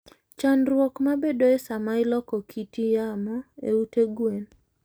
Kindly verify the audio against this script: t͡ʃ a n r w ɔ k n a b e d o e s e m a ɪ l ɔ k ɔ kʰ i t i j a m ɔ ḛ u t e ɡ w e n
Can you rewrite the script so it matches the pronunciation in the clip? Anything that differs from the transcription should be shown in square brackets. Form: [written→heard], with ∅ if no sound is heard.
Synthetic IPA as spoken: t͡ʃ a n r w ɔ k [n→m] a b e d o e s [e→a] m a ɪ l ɔ k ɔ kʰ i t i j a m ɔ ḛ u t e ɡ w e n

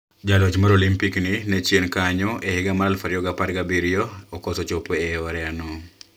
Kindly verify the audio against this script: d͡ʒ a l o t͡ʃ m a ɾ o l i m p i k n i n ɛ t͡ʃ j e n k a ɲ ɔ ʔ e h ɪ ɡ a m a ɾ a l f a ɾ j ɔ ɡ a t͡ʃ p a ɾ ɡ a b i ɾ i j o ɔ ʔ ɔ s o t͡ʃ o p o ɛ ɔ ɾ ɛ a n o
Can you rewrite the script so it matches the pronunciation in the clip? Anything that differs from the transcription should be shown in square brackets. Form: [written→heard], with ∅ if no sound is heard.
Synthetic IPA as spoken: d͡ʒ a l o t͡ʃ m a ɾ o l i m p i k n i n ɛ t͡ʃ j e n k a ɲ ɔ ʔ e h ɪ ɡ a m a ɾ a l f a ɾ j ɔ ɡ a [t͡ʃ→∅] p a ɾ ɡ a b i ɾ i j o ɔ [ʔ→k] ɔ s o t͡ʃ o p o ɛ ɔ ɾ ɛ a n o

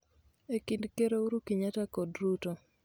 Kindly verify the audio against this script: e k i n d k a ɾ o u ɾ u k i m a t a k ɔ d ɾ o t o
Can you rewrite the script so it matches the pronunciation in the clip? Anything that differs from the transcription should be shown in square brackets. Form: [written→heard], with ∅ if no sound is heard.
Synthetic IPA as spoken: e k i n d k [a→e] ɾ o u ɾ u k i [m→ɲ] a t a k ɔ d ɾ [o→u] t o

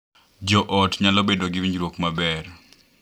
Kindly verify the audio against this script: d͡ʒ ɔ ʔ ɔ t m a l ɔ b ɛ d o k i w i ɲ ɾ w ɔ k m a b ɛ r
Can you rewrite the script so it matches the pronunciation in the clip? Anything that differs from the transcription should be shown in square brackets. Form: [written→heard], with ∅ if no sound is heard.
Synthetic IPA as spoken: d͡ʒ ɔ ʔ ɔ t [m→ɲ] a l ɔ b [ɛ→e] d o [k→ɡ] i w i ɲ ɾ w [ɔ→o] k m a b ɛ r

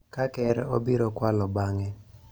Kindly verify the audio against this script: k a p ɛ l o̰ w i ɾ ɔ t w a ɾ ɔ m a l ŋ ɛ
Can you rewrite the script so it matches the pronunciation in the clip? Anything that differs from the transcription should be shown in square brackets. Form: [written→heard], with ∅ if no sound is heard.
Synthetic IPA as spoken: k a [p→k] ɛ [l→ɾ] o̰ [w→b] i ɾ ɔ [t→k] w a [ɾ→l] ɔ [m→b] a [l→∅] ŋ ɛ

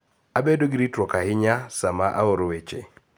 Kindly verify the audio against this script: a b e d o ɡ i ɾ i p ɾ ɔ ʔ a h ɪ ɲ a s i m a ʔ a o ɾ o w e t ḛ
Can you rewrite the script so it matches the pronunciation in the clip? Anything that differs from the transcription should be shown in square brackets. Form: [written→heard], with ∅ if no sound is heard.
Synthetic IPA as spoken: a b e d o ɡ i ɾ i [p→t] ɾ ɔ [ʔ→k] a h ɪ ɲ a s [i→a] m a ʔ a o ɾ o w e [t→t͡ʃ] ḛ

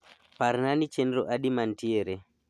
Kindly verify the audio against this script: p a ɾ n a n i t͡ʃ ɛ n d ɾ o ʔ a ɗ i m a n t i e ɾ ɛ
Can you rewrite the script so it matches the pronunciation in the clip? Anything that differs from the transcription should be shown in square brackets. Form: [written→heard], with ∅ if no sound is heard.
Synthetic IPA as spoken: p a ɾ n a n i t͡ʃ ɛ n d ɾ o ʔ a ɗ i m a n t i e ɾ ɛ

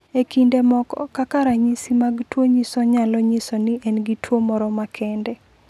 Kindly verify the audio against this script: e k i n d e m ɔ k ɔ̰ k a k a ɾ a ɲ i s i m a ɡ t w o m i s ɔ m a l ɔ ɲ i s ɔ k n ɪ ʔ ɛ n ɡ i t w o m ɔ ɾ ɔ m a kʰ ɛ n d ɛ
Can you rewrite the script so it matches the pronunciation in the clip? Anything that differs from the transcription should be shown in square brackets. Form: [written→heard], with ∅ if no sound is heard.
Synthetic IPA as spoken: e k i n d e m ɔ k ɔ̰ k a k a ɾ a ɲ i s i m a ɡ t w o [m→ɲ] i s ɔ [m→ɲ] a l ɔ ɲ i s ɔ [k→∅] n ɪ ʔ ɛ n ɡ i t w o m ɔ ɾ ɔ m a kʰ ɛ n d ɛ

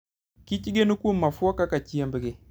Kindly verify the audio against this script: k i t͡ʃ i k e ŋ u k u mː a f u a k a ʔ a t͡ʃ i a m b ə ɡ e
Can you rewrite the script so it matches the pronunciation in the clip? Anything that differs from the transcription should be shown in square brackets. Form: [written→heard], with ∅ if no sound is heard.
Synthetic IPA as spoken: k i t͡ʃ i [k→ɡ] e [ŋ→n] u k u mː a f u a k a [ʔ→k] a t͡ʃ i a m b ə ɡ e

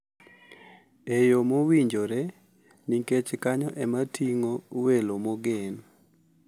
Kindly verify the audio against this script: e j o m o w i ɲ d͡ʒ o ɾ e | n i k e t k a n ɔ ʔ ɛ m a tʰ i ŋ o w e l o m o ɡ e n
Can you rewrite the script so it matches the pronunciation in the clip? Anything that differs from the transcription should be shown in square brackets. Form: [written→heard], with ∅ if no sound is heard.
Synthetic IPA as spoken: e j o m o w i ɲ d͡ʒ o ɾ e | n i k e [t→t͡ʃ] k a [n→ɲ] ɔ ʔ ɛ m a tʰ i ŋ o w e l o m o ɡ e n

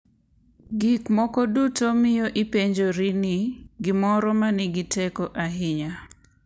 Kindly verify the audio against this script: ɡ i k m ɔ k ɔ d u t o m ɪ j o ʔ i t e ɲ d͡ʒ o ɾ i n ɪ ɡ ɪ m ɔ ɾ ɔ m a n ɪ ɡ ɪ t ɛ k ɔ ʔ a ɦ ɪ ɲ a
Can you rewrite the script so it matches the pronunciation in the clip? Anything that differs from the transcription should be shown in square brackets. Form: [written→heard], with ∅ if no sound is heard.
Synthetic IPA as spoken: ɡ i k m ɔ k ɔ d u t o m ɪ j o ʔ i [t→p] e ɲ d͡ʒ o ɾ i n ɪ ɡ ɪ m ɔ ɾ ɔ m a n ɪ ɡ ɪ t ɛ k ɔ ʔ a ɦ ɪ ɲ a

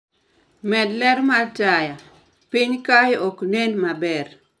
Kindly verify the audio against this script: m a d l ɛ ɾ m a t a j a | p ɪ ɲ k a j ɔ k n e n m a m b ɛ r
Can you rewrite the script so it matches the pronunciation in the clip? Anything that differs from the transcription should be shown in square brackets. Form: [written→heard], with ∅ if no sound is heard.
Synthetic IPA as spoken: m [a→ɛ] d l ɛ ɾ m a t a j a | p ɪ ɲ k a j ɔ k n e n m a [m→∅] b ɛ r

